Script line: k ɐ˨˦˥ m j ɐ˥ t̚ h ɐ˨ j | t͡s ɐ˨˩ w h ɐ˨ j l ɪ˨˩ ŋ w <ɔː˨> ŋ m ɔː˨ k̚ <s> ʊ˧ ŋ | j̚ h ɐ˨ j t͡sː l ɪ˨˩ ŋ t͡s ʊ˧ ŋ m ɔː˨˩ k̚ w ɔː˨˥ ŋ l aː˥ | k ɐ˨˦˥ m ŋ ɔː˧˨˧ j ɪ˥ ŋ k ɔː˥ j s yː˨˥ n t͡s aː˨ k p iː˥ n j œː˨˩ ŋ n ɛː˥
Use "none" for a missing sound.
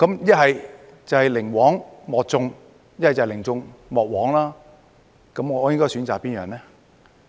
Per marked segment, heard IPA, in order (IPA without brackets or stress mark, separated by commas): ɔː˨˥, t͡s